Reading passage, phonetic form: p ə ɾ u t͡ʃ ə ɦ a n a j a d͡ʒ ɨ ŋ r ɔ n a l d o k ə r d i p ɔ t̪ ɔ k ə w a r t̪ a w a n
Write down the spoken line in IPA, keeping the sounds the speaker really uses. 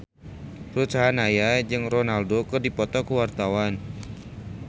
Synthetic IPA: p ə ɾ u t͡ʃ a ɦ a n a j a d͡ʒ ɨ ŋ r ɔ n a l d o k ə r d i p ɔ t̪ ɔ k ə w a r t̪ a w a n